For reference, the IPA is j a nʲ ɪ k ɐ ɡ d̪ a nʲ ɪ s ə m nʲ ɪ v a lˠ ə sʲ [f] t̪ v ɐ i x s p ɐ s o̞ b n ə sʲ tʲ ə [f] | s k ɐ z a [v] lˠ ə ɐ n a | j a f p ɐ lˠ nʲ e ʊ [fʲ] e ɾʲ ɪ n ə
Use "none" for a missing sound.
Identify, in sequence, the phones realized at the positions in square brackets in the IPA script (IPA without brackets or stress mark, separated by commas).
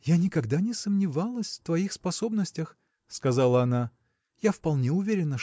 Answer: f, x, none, vʲ